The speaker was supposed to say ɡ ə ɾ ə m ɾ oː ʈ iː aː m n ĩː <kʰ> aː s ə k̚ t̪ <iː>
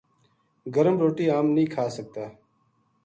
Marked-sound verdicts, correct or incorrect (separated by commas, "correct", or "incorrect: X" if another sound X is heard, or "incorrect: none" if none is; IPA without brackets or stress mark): correct, incorrect: aː